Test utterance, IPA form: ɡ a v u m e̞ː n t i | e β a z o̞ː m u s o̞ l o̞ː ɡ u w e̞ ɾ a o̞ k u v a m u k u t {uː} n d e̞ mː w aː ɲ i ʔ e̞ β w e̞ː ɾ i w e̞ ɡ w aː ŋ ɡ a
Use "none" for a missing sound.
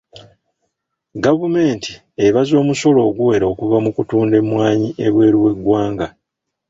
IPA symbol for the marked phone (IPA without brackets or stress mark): uː